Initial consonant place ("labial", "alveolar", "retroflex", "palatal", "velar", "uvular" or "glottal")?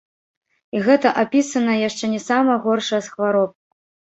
velar